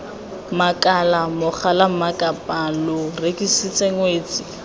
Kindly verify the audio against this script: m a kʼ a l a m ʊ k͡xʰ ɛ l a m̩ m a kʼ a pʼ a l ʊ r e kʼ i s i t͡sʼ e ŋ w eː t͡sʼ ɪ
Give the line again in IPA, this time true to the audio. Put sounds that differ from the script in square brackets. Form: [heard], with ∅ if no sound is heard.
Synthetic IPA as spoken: m a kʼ a l a m ʊ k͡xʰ [a] l a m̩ m a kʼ a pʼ a l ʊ r e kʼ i s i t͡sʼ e ŋ w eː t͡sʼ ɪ